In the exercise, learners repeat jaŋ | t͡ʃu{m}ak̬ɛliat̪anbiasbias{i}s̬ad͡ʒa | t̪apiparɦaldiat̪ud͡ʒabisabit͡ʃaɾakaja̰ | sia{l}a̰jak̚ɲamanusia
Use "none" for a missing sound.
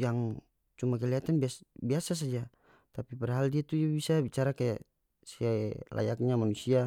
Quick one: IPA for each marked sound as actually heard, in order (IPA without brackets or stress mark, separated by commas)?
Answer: m, a, l